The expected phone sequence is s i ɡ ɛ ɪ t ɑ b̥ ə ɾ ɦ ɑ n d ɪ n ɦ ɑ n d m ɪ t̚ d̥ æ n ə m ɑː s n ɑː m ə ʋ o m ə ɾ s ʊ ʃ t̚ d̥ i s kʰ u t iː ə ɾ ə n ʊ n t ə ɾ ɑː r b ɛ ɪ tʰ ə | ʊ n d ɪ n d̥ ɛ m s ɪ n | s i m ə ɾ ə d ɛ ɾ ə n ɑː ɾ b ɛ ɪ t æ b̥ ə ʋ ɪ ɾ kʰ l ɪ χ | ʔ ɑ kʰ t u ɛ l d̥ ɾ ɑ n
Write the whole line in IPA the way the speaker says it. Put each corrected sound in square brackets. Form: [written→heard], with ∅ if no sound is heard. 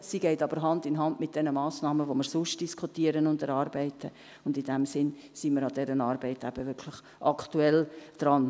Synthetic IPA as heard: s i ɡ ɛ ɪ t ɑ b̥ ə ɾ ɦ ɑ n d ɪ n ɦ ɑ n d m ɪ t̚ d̥ [æ→ɛ] n ə m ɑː s n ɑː m ə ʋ o m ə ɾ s ʊ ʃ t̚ d̥ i s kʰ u t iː ə ɾ ə n ʊ n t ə ɾ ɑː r b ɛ ɪ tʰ ə | ʊ n d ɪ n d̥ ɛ m s ɪ n | s i m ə ɾ [ə→ɑ] d ɛ ɾ ə n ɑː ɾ b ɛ ɪ t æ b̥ ə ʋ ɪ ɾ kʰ l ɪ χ | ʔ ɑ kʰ t u ɛ l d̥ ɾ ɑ n